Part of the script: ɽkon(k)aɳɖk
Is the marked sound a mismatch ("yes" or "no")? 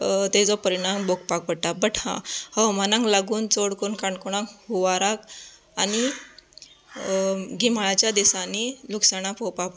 no